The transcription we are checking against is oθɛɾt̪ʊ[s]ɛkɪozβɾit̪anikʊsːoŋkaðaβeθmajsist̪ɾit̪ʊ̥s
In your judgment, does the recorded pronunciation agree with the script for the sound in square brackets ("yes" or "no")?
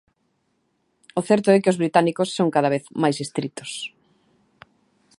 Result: no